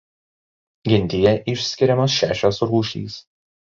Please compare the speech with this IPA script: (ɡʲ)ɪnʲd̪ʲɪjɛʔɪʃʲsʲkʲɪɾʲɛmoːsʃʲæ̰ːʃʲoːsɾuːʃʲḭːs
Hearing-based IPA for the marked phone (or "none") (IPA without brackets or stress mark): ɡʲ